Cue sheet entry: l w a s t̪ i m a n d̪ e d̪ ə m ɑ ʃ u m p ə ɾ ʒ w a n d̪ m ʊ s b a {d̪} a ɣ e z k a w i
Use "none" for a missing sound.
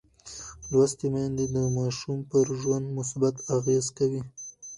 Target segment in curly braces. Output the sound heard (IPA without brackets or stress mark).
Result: t̪